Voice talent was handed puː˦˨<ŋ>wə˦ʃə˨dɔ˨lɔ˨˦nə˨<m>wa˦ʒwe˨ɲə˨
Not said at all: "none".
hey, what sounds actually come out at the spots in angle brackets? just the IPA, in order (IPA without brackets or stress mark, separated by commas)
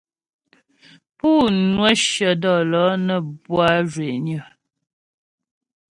n, b